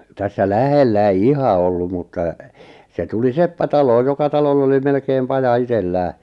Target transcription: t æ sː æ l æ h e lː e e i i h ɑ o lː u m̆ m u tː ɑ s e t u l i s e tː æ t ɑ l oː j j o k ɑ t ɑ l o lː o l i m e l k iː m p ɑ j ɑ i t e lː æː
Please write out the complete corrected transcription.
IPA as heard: t æ sː æ l æ h e lː æ e i i h ɑ o lː u m̆ m u tː ɑ s e t u l i s e pː æ t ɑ l oː j j o k ɑ t ɑ l o lː o l i m e l k eː m p ɑ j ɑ i t e lː æː